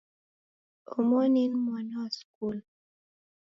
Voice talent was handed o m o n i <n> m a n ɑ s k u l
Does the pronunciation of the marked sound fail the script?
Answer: no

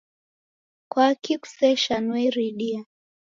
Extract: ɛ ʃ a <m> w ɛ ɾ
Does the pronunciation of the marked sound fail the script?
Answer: yes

